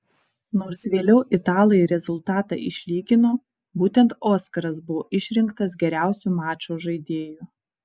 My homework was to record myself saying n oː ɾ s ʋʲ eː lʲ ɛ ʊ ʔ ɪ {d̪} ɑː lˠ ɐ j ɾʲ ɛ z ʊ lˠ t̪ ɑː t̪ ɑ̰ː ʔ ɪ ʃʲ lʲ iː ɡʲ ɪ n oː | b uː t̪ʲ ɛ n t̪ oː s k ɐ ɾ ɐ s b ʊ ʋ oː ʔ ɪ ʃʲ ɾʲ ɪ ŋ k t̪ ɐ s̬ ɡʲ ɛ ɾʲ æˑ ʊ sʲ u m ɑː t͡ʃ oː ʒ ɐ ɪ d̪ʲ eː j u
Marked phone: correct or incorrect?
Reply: incorrect: t̪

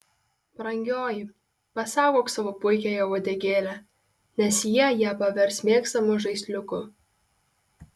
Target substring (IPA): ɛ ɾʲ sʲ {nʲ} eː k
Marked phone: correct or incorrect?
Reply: incorrect: mʲ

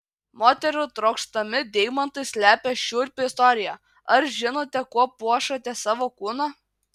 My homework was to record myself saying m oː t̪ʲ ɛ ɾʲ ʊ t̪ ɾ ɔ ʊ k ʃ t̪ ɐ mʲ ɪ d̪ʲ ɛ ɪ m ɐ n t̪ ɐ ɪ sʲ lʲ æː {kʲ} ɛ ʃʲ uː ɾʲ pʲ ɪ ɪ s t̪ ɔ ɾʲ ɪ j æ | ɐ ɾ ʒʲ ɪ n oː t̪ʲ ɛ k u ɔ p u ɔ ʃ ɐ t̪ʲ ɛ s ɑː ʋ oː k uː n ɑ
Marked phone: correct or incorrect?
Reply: incorrect: pʲ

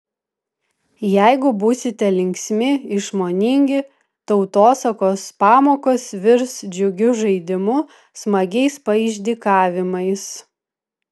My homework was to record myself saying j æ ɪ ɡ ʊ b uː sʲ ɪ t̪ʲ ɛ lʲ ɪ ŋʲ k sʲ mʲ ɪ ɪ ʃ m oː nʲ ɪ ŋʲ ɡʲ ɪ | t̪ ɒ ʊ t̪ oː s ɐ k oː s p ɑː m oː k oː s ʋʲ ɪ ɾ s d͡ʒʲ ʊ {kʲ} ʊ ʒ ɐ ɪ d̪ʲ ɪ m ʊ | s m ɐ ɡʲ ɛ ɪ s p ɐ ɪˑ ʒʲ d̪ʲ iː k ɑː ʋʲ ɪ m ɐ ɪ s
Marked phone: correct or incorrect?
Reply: incorrect: ɡʲ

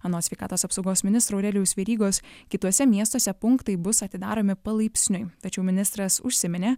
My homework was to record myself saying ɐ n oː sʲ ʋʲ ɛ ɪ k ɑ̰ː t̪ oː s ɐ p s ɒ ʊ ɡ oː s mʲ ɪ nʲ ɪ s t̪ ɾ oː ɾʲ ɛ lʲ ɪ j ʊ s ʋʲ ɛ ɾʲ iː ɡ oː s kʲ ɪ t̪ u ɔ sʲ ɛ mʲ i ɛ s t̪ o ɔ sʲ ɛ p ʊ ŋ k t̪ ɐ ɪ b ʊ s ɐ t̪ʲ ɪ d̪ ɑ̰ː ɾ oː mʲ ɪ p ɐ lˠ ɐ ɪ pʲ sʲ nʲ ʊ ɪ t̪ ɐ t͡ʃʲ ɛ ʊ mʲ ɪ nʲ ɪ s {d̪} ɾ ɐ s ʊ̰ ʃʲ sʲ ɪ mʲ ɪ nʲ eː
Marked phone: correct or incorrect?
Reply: incorrect: t̪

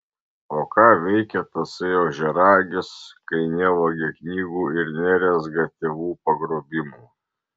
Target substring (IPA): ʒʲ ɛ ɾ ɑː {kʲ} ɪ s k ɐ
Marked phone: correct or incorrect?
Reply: incorrect: ɡʲ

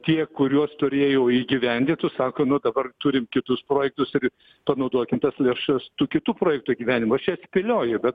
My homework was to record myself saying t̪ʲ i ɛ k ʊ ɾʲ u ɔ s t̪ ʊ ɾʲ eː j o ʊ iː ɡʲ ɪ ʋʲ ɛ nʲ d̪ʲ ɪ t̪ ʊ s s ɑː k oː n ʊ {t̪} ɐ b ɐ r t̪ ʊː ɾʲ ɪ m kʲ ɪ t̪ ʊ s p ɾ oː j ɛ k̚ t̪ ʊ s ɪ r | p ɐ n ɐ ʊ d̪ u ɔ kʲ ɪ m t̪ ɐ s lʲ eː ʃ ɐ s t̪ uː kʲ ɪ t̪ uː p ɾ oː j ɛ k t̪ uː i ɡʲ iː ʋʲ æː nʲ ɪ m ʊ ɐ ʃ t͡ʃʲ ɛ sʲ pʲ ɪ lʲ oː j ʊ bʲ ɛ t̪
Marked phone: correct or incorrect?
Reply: incorrect: d̪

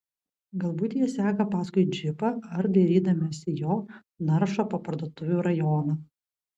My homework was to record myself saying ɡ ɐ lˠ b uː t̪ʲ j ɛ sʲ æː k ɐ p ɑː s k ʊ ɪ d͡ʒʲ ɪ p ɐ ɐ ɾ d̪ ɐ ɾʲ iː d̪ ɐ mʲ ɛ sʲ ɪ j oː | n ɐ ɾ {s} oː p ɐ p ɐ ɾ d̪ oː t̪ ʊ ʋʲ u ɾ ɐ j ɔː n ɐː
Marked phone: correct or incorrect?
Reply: incorrect: ʃ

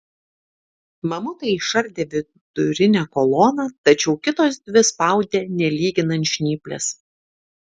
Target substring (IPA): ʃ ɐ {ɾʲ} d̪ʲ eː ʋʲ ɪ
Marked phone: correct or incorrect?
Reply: correct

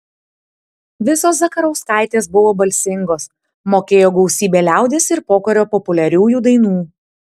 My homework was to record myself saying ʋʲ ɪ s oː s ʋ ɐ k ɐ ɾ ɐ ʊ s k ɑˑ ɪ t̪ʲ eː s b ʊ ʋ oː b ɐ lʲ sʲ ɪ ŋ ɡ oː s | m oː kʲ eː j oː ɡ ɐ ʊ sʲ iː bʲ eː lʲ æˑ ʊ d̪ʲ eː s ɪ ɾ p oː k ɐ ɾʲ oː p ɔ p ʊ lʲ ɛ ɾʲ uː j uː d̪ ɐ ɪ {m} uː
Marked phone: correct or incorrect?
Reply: incorrect: n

